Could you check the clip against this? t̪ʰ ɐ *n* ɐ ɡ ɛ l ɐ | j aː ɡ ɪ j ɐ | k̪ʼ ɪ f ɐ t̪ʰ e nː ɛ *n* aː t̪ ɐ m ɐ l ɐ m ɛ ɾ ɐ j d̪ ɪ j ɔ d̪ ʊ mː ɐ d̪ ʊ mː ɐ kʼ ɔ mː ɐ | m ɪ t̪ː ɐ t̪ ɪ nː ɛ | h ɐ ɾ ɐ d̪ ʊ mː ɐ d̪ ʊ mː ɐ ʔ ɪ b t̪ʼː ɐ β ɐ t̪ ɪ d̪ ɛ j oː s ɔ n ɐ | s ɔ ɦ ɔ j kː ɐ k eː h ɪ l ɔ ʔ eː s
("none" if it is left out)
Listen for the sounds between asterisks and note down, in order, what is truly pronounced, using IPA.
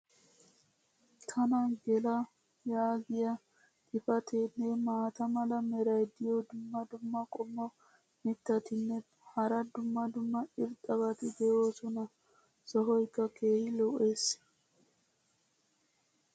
n, m

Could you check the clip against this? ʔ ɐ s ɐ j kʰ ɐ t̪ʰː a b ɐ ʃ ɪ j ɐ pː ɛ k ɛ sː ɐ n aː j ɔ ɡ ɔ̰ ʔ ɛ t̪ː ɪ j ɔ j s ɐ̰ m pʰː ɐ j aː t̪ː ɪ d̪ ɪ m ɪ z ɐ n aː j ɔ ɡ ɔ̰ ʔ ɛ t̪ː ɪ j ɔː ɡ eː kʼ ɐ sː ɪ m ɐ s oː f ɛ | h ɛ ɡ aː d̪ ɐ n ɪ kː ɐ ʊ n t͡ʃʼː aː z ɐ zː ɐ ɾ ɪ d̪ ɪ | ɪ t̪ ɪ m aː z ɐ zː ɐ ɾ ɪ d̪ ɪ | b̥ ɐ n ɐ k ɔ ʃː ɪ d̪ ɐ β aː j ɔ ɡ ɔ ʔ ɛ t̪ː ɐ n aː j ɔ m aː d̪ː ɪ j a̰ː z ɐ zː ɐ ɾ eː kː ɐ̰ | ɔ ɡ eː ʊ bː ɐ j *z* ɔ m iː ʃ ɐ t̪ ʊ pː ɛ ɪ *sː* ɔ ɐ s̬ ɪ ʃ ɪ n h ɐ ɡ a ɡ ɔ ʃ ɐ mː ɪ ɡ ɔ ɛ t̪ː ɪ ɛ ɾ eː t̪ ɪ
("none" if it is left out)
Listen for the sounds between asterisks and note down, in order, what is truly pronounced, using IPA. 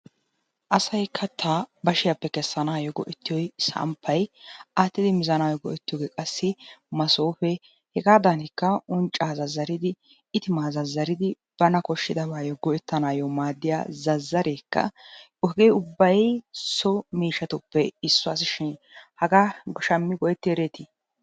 s, sː

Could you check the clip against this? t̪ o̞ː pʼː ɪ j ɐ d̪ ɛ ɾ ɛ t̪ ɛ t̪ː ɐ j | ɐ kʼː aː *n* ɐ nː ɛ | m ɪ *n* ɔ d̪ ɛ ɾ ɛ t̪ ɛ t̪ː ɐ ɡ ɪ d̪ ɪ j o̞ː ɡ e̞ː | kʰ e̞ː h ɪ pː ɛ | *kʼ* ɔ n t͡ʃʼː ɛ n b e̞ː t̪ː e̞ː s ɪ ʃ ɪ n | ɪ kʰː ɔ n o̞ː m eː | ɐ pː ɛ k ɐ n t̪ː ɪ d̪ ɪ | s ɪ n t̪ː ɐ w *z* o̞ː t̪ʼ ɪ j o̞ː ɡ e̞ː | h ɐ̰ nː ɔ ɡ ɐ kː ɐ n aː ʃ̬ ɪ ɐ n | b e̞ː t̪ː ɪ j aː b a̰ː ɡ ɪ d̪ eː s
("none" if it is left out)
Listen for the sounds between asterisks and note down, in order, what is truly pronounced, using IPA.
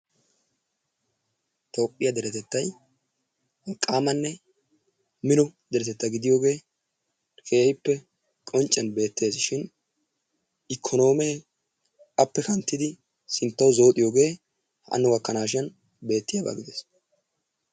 m, n, kʼ, z

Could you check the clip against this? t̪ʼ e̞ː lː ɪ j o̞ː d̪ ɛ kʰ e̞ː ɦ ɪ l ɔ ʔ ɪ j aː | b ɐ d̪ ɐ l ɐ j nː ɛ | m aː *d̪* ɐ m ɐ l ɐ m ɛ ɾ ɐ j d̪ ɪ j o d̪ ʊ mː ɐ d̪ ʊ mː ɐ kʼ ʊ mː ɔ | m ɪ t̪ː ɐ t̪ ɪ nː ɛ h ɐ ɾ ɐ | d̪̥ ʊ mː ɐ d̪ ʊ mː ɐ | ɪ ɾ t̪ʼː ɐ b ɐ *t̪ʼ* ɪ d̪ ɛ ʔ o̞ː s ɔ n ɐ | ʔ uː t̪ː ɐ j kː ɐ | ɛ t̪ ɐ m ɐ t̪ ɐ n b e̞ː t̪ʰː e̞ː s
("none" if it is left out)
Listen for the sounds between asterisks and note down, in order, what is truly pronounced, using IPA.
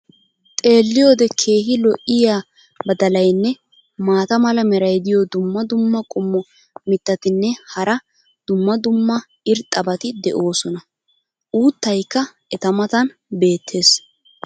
t̪, t̪

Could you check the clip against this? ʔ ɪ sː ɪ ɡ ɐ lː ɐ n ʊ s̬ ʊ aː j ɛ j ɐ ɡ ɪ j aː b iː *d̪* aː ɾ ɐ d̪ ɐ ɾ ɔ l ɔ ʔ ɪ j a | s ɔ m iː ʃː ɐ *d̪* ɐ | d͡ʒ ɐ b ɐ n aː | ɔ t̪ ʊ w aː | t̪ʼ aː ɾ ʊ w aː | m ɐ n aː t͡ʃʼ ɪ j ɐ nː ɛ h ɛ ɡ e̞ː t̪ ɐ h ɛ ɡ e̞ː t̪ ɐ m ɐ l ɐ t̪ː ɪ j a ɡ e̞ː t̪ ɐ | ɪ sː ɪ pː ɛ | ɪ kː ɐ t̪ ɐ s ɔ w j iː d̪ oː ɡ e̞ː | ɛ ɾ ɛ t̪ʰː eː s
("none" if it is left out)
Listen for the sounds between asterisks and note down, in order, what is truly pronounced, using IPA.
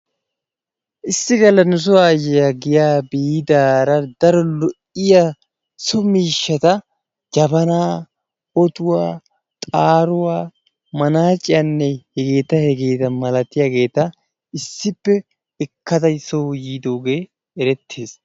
d̪, t̪

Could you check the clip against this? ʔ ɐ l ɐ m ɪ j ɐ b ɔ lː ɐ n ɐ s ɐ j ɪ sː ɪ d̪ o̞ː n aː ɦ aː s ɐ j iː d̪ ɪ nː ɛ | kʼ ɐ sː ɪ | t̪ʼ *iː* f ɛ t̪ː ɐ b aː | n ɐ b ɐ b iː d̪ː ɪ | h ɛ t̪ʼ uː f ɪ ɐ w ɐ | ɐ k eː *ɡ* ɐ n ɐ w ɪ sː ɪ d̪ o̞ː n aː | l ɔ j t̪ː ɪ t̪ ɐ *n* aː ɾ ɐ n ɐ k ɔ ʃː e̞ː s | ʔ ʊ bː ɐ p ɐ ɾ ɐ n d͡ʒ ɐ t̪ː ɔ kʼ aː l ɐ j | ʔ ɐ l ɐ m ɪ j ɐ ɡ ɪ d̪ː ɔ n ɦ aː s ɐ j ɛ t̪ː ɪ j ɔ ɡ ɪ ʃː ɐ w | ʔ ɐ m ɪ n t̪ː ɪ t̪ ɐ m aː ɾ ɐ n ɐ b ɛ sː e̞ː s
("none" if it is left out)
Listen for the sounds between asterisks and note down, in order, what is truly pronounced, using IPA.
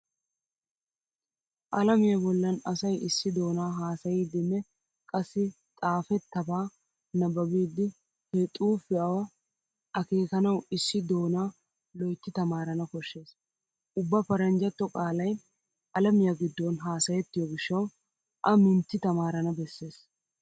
aː, k, m

